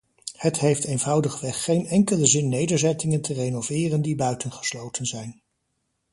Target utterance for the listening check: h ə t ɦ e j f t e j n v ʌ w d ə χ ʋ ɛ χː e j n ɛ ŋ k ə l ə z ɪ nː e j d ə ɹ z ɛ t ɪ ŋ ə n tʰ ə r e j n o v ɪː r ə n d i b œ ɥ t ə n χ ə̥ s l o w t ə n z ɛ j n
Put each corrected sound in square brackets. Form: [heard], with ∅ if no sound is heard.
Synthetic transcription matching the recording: h ə t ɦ e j f t e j n v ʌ w d ə χ ʋ ɛ χː e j n ɛ ŋ k ə l ə z ɪ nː e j d ə ɹ z ɛ t ɪ ŋ ə n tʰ ə r e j n o v ɪː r ə n d i b œ ɥ t ə n χ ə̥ s l o w t ə n z ɛ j n